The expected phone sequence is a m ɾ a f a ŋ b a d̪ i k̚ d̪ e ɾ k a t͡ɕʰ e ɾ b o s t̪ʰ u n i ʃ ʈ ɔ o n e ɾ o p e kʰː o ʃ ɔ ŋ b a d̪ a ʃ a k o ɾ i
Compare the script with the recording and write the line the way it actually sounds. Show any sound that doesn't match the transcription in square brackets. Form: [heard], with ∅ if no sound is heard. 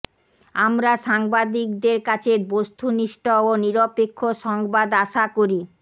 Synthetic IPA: a m ɾ a [ʃ] a ŋ b a d̪ i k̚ d̪ e ɾ k a t͡ɕʰ e ɾ b o s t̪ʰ u n i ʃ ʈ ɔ o n [i] ɾ o p e kʰː o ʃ ɔ ŋ b a d̪ a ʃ a k o ɾ i